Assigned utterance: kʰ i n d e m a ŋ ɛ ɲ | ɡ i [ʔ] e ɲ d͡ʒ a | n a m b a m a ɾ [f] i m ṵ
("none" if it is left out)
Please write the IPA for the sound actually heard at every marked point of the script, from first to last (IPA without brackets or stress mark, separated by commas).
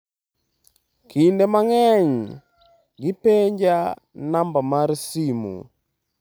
p, s